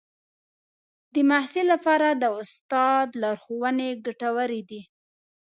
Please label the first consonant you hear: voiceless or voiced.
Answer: voiced